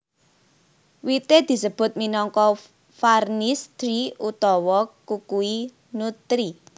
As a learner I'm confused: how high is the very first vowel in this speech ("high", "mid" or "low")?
high